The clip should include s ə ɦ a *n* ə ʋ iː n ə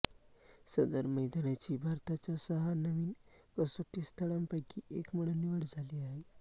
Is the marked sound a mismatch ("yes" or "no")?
no